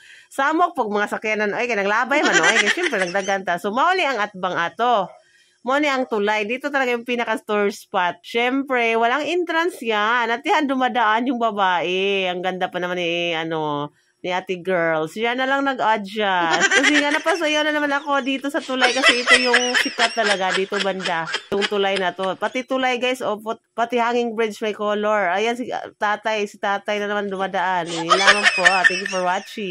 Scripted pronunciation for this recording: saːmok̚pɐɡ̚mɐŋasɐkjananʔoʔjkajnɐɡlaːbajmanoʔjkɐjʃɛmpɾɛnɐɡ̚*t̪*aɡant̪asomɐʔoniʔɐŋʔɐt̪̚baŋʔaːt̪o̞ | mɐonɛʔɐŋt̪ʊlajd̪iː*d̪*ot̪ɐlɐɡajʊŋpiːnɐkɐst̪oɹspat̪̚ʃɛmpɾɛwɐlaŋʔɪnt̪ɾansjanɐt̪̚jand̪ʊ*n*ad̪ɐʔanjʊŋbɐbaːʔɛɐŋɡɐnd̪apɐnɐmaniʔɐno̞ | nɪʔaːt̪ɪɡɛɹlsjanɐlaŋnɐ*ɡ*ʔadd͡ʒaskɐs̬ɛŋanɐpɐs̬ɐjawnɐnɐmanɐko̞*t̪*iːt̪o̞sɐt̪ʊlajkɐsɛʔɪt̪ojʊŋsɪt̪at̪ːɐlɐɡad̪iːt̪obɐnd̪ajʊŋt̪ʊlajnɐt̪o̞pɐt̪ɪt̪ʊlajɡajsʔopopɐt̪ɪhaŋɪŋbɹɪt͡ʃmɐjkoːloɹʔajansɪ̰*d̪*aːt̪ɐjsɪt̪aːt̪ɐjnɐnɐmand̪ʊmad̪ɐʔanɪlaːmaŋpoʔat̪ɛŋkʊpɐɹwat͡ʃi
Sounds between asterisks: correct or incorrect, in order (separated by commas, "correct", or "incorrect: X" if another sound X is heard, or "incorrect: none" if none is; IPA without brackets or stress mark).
incorrect: d̪, incorrect: t̪, incorrect: m, correct, incorrect: d̪, incorrect: t̪